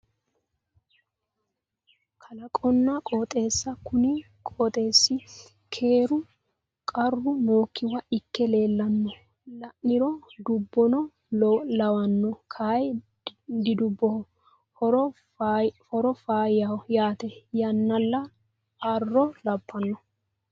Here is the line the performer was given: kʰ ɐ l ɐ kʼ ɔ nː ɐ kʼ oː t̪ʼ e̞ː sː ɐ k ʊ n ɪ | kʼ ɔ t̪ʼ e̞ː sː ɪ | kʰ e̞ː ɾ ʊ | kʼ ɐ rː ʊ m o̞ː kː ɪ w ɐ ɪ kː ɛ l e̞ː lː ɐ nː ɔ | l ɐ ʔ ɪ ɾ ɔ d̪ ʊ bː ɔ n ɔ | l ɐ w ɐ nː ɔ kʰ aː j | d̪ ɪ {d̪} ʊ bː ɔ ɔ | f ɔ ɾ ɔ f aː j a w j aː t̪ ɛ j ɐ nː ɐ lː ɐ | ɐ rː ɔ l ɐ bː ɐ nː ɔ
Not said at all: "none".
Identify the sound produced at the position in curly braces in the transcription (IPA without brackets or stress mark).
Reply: d̪